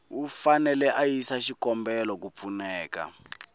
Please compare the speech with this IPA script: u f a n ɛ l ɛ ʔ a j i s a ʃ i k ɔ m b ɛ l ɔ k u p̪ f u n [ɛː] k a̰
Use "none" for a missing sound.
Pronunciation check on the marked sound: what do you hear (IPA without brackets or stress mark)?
ɛː